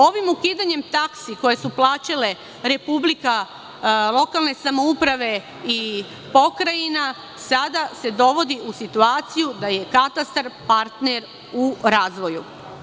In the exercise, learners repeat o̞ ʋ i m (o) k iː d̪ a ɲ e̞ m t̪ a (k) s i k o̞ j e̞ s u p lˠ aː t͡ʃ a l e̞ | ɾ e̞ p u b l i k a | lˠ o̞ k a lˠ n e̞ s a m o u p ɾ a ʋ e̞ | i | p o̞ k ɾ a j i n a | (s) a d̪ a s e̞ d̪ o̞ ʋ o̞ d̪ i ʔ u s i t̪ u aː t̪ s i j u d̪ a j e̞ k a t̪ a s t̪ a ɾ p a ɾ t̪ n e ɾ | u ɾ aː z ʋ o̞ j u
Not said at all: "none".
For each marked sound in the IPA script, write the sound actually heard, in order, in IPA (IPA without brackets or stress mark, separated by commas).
u, k, s